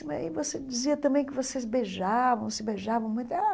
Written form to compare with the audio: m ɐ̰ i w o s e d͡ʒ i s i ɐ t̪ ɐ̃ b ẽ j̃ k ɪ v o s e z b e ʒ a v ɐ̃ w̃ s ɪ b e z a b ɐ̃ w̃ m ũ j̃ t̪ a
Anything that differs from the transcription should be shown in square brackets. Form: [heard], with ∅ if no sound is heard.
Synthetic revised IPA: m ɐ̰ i [v] o s e d͡ʒ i [z] i ɐ t̪ ɐ̃ b ẽ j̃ k ɪ v o s e z b e ʒ a v ɐ̃ w̃ s ɪ b e [ʒ] a [v] ɐ̃ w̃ m ũ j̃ t̪ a